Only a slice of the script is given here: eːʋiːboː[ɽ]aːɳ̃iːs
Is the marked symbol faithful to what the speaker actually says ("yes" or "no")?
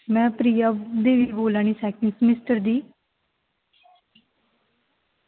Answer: no